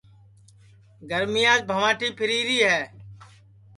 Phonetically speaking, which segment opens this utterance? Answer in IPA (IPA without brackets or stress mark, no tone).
ɡ